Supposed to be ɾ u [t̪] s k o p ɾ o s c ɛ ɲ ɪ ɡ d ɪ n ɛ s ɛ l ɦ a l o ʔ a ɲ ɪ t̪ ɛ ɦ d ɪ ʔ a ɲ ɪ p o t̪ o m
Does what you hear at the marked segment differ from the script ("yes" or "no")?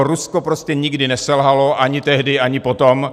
yes